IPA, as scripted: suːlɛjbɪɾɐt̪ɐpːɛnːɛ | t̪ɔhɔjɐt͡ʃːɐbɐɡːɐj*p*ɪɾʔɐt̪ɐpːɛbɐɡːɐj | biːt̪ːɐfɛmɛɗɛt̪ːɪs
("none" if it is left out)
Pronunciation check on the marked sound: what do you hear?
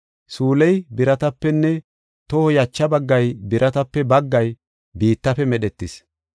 b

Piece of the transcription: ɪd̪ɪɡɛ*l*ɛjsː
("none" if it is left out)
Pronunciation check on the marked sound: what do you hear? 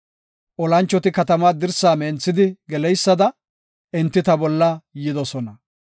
l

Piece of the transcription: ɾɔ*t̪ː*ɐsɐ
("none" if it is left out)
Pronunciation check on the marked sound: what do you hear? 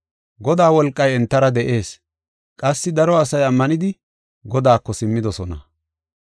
none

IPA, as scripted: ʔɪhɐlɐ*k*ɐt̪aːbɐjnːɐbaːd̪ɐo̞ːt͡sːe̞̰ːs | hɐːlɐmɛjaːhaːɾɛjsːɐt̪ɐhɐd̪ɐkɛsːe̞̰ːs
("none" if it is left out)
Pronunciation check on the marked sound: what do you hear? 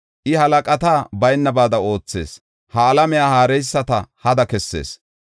kʼ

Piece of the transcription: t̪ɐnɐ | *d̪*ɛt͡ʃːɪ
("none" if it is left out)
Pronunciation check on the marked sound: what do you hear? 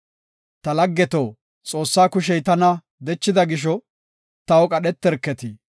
d̪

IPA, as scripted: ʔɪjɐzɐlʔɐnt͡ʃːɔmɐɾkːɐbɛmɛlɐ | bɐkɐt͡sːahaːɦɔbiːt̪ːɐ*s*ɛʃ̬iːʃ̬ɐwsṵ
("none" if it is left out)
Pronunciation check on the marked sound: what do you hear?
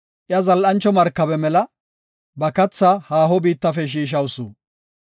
f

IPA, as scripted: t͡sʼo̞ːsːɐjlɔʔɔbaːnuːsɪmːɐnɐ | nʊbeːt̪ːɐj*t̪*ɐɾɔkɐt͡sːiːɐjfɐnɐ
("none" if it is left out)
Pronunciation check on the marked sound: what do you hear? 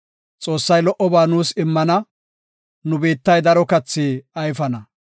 d̪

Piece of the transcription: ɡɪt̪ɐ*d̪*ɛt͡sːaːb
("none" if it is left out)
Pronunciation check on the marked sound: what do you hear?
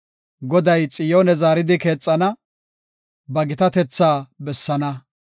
t̪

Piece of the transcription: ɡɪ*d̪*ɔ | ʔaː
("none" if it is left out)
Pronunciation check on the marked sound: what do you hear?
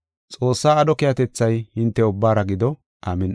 d̪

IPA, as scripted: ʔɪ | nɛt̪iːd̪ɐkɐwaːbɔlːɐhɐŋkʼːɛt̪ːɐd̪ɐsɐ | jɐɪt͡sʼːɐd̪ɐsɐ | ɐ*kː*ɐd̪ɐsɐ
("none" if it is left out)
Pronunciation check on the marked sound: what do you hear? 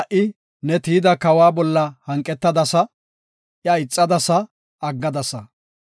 ɡː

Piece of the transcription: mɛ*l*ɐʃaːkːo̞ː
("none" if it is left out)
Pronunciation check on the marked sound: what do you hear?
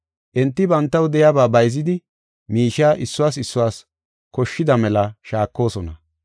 l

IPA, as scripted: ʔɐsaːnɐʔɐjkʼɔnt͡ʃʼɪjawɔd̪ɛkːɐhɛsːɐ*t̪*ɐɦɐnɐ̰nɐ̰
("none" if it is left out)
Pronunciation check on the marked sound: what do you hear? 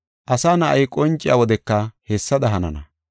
d̪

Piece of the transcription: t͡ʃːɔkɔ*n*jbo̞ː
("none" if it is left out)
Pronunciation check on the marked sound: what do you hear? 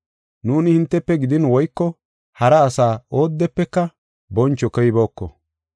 none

